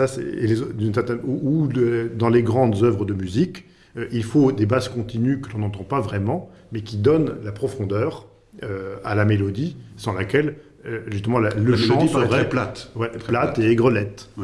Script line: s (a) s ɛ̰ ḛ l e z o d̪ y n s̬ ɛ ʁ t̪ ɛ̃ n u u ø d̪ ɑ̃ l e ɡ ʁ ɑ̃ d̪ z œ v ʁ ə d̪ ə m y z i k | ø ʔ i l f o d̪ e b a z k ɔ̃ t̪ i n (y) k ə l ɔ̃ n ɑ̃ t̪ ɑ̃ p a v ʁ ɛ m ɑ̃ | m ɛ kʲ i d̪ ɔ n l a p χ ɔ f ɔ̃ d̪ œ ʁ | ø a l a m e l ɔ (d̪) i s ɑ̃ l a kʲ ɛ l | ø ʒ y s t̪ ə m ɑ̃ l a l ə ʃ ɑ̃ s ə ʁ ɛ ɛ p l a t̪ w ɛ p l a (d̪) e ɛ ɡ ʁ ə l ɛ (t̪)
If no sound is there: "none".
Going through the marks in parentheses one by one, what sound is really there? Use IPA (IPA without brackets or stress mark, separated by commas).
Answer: a, y, d̪, t̪, t̪